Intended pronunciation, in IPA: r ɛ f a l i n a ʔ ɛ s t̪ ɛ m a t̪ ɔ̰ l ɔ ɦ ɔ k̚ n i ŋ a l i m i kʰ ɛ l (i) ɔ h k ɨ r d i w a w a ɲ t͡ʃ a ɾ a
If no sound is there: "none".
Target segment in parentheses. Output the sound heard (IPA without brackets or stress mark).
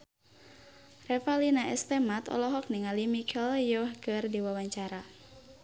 j